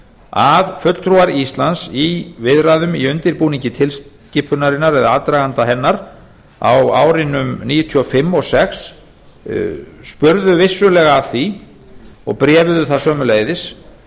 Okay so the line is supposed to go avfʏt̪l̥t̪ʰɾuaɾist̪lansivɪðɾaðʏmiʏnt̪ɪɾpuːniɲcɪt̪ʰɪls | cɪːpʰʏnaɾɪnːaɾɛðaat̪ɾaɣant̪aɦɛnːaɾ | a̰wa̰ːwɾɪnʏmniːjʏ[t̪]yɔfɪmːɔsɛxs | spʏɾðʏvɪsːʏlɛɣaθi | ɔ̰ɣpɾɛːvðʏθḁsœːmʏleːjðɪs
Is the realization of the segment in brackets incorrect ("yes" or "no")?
yes